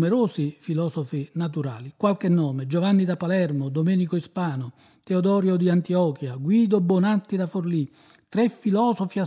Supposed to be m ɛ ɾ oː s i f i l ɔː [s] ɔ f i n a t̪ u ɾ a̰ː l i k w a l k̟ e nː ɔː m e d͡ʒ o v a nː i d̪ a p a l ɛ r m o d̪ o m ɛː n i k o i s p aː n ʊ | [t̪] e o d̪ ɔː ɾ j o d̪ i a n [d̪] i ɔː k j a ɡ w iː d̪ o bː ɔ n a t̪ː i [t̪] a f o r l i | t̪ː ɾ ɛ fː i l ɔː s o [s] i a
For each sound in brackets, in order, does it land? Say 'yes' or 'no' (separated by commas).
yes, yes, no, no, no